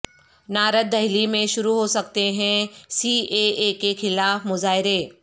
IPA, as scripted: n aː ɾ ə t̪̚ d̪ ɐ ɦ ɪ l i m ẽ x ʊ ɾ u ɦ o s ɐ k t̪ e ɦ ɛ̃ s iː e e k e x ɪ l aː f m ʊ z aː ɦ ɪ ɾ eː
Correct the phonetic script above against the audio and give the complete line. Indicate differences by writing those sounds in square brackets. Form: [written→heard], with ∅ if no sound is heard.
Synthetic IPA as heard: n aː ɾ ə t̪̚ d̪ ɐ ɦ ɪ l i m ẽ [x→ʃ] ʊ ɾ u ɦ o s ɐ k t̪ e ɦ ɛ̃ s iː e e k e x ɪ l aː f m ʊ z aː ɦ ɪ ɾ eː